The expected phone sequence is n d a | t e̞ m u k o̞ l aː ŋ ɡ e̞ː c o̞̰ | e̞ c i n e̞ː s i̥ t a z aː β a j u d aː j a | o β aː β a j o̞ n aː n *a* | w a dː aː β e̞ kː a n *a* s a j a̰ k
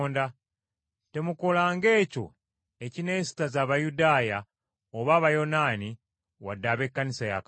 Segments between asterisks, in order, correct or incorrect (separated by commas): incorrect, incorrect